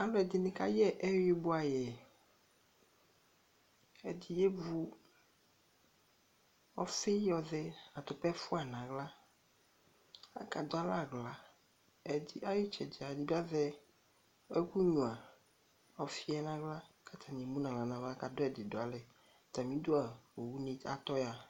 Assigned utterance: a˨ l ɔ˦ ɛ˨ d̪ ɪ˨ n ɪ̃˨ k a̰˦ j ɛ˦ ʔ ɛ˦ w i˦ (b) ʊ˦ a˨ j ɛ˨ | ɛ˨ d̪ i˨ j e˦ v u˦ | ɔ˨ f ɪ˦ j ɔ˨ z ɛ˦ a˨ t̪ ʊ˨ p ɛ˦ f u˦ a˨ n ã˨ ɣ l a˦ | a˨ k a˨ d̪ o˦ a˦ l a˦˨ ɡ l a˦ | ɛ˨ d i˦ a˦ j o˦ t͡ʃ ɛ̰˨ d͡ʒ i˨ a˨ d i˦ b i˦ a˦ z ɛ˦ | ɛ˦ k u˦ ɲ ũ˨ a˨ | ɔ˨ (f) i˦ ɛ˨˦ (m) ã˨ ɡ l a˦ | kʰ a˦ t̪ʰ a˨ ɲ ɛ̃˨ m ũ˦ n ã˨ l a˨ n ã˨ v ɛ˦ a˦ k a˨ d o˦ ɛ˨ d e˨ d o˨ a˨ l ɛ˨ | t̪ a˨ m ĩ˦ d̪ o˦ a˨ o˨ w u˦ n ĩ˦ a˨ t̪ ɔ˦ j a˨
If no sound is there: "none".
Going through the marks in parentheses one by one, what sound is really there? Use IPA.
b, f, n

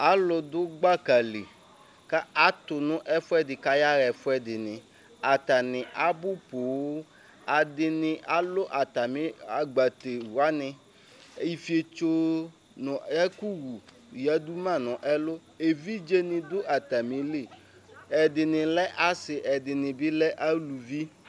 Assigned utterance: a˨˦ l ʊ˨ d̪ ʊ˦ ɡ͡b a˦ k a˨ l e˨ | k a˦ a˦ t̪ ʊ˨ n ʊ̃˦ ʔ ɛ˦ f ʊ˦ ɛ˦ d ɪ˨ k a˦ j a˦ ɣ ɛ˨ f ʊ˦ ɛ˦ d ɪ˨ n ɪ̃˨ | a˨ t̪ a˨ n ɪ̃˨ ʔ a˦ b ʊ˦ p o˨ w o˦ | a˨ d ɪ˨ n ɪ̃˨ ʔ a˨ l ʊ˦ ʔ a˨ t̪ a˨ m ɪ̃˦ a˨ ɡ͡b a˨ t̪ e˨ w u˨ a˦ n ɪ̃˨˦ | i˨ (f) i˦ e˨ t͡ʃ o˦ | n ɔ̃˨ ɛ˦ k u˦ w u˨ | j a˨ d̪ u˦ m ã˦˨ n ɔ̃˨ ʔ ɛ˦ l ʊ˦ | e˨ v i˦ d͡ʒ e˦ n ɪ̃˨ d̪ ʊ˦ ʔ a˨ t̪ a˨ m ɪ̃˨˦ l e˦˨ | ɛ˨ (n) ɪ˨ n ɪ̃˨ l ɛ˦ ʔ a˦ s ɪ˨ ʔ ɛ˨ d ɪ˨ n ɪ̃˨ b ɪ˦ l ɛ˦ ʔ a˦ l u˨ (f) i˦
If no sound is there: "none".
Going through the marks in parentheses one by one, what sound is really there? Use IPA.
f, d, v

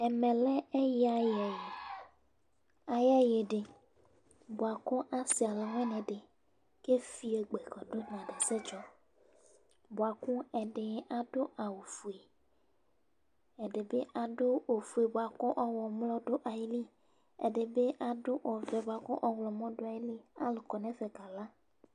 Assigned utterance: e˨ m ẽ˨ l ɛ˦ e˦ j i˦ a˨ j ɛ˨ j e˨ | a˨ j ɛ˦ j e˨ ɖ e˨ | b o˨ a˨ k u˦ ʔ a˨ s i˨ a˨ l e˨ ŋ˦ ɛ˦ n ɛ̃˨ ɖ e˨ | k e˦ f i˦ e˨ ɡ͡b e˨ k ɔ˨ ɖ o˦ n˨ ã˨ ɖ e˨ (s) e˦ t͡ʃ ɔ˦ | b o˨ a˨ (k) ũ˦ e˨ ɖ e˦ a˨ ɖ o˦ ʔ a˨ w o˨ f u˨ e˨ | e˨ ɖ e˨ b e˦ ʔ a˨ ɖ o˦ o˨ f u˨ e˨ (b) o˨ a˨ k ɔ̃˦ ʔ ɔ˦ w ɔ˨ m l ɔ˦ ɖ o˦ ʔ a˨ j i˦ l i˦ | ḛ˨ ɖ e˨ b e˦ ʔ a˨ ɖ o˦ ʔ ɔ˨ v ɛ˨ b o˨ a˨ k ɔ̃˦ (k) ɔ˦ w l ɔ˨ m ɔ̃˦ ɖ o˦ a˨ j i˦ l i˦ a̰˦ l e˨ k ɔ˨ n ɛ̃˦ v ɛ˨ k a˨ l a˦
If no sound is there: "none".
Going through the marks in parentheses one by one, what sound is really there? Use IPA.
s, k, b, ʔ

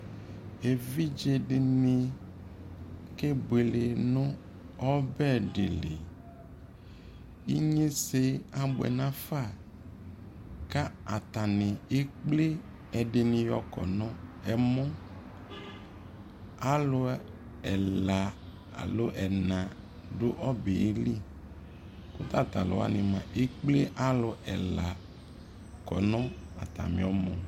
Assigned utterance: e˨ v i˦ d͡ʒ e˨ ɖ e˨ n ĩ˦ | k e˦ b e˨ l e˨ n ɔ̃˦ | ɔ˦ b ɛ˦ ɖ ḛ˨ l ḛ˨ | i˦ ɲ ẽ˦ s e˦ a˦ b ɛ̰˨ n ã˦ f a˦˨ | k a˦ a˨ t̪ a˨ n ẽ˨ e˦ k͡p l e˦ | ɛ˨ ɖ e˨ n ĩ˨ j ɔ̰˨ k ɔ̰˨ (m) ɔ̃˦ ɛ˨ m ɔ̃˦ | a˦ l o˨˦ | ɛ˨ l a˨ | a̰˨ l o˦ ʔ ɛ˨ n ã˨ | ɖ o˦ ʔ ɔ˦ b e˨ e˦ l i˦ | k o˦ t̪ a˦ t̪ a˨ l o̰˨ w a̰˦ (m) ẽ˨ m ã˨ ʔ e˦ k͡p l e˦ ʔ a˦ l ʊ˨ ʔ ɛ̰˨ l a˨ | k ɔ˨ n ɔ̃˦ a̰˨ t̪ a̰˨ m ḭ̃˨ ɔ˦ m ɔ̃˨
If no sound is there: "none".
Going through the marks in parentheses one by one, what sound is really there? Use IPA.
n, n

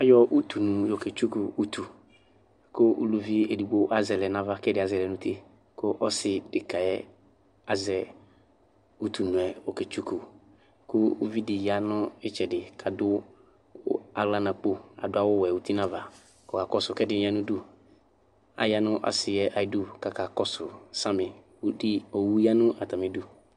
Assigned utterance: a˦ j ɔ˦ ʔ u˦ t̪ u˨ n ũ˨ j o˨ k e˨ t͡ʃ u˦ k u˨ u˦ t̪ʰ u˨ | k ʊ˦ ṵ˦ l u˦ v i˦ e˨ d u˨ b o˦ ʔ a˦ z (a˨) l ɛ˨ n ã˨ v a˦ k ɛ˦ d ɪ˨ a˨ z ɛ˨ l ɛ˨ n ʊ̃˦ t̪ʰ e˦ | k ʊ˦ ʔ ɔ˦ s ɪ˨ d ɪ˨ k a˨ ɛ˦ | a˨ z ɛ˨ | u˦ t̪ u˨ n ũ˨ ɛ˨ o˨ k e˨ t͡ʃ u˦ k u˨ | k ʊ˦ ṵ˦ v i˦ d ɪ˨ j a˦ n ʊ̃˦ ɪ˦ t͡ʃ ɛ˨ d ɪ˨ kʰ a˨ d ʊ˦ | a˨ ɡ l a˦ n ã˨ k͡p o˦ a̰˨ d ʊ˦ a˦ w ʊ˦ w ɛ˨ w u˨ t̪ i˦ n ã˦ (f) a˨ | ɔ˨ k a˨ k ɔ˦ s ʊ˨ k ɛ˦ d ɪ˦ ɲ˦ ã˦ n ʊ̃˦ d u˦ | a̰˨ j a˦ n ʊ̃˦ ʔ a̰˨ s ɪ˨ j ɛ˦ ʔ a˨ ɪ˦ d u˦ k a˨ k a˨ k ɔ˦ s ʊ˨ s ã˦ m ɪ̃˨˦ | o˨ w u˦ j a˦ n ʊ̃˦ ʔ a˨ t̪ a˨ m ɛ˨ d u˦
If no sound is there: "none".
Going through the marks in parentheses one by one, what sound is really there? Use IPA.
ɛ˨, v

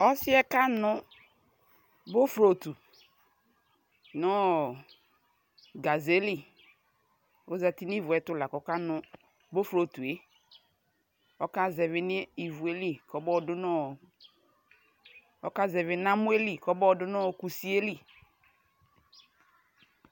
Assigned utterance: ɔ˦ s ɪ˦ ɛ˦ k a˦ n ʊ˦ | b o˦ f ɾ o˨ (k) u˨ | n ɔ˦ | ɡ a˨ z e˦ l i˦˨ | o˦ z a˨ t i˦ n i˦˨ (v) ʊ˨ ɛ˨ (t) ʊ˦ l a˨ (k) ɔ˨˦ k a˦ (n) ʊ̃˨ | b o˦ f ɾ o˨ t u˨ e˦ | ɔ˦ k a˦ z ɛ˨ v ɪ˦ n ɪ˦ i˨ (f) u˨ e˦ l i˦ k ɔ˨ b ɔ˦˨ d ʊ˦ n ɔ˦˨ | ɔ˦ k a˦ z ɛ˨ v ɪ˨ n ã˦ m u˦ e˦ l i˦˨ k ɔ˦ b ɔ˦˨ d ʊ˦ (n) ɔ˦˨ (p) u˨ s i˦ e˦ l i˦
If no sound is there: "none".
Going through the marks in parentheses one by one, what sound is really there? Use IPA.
t, v, t, k, n, v, n, k

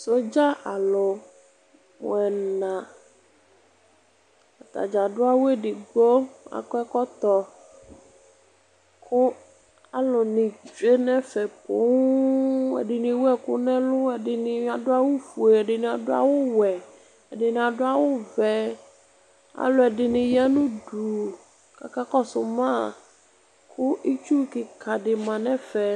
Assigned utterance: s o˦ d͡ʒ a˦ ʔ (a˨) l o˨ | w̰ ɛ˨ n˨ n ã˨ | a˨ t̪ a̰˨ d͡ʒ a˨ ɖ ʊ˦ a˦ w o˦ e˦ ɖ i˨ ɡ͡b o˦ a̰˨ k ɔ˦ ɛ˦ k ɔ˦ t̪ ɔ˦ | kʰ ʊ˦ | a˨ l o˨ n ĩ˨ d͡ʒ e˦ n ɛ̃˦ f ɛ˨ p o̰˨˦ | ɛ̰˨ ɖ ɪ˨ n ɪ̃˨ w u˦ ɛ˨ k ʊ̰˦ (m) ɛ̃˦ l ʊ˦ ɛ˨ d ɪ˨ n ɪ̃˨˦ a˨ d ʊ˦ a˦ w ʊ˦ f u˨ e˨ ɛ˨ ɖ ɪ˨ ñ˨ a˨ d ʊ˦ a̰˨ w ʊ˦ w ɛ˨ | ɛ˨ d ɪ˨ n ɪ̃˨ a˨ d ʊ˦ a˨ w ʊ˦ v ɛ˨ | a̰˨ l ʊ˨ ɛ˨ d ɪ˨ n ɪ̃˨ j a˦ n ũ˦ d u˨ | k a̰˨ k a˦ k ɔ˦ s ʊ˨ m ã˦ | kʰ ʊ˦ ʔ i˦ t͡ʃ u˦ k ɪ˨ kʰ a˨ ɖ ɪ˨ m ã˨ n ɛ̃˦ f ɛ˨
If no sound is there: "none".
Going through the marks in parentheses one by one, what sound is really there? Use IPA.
a˨, n

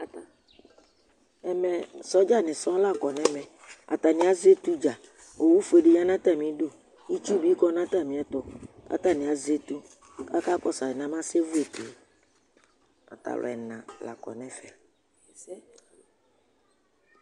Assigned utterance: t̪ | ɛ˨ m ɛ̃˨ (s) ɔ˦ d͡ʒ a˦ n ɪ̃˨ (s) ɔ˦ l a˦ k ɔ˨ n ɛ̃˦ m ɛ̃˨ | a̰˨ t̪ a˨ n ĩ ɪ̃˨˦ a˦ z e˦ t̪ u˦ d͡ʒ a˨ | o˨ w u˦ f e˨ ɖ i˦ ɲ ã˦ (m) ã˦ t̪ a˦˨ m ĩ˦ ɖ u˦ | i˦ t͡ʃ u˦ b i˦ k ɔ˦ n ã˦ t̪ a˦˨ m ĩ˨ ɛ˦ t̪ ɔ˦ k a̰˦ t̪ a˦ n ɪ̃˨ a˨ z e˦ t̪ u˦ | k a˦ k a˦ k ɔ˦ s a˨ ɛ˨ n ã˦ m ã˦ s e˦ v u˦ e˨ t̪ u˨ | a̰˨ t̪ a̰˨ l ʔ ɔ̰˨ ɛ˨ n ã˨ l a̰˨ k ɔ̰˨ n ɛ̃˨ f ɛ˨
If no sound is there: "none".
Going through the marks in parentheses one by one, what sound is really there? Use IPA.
s, s, n

